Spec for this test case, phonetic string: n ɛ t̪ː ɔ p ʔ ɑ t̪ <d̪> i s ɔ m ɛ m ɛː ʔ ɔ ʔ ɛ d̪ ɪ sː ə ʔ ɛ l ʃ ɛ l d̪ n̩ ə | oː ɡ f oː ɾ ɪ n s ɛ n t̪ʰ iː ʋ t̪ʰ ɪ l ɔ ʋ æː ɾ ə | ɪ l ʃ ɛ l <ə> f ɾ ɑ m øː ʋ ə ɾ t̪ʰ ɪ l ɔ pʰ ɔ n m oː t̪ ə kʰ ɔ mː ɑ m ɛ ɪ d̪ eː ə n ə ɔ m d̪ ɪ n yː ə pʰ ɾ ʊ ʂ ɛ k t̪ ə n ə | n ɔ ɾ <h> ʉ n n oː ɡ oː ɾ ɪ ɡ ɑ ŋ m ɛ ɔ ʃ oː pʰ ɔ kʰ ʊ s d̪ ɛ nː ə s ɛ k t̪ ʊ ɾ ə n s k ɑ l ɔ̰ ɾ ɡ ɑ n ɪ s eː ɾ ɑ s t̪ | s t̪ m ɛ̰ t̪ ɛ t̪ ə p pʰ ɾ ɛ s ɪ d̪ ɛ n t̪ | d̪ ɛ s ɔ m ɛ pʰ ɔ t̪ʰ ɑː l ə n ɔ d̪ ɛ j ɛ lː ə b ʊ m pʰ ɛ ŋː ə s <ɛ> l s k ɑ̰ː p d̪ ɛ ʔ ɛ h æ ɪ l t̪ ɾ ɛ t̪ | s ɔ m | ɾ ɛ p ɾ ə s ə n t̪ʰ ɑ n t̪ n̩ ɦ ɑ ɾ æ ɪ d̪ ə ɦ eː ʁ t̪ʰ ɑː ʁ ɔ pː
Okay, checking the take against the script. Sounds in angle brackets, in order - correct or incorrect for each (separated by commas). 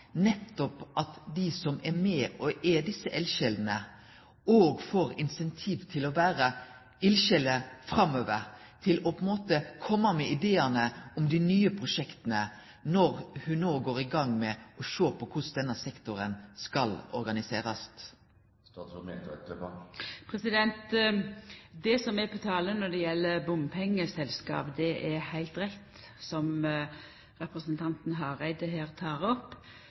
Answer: correct, correct, correct, correct